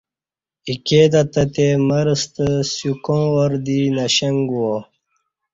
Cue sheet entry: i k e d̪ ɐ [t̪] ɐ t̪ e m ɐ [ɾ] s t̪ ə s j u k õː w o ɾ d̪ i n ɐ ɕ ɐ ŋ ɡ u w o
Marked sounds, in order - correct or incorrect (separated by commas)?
correct, correct